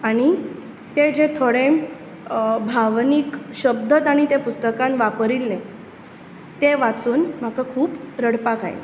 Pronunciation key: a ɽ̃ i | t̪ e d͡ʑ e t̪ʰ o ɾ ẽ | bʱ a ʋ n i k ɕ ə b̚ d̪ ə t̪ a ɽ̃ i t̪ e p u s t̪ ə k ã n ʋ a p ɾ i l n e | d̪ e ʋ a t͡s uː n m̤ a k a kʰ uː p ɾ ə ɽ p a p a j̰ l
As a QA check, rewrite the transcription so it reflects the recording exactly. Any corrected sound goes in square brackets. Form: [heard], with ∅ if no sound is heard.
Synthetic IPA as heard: a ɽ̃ i | t̪ e d͡ʑ e t̪ʰ o [ɽ] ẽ | bʱ a ʋ n i k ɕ ə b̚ d̪ ə t̪ a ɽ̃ i t̪ e p u s t̪ ə k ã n ʋ a p ɾ i l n e | [t̪] e ʋ a t͡s uː n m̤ a k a kʰ uː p ɾ ə ɽ p a [k] a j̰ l